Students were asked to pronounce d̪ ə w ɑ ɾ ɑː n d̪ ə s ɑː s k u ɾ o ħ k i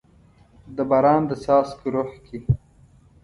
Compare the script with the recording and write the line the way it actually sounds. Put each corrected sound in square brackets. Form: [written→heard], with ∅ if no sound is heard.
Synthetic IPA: d̪ ə [w→b] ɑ ɾ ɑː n d̪ ə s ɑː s k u ɾ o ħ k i

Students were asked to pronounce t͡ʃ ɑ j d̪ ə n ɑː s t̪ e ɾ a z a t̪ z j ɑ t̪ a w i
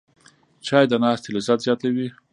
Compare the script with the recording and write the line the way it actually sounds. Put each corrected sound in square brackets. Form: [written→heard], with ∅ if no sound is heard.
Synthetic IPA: t͡ʃ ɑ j d̪ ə n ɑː s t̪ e [ɾ→l] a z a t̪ z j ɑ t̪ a w i

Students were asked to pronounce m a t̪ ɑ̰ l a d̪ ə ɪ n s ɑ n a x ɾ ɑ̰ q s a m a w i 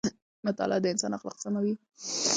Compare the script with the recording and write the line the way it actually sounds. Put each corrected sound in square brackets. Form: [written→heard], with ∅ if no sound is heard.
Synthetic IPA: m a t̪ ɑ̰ l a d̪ ə ɪ n s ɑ n a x [ɾ→l] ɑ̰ q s a m a w i

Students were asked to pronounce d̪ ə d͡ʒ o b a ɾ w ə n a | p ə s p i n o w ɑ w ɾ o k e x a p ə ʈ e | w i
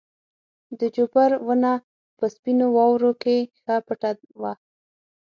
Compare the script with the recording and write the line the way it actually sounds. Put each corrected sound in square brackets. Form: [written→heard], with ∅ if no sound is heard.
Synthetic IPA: d̪ ə d͡ʒ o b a ɾ w ə n a | p ə s p i n o w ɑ w ɾ o k e x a p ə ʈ [e→a] | w [i→a]

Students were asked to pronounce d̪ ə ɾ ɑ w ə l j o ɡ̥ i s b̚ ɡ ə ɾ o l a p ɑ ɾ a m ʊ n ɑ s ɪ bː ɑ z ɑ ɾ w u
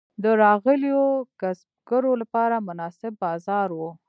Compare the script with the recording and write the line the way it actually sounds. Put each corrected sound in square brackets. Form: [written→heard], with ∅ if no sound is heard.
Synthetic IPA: d̪ ə ɾ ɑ [w→ɣ] ə l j o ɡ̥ [i→a] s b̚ ɡ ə ɾ o l a p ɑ ɾ a m ʊ n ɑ s ɪ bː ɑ z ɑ ɾ w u

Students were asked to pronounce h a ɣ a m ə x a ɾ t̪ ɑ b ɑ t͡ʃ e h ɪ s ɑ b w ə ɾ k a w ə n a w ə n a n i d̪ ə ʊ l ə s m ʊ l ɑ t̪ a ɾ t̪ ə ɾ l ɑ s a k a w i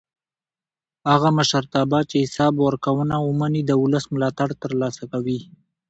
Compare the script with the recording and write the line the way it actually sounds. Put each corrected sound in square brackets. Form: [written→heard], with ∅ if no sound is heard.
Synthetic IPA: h a ɣ a m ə [x→ʃ] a ɾ t̪ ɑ b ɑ t͡ʃ e h ɪ s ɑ b w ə ɾ k a w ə n a w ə [n→m] a n i d̪ ə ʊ l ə s m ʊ l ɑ t̪ a [ɾ→ɽ] t̪ ə ɾ l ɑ s a k a w i

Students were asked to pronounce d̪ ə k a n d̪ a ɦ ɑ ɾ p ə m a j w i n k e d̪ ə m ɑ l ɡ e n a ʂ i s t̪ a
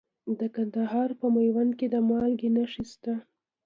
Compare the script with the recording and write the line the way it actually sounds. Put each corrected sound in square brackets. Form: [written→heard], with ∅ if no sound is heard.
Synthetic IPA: d̪ ə k a n d̪ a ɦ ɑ ɾ p ə m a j w [i→a] n k e d̪ ə m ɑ l ɡ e n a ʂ i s t̪ a

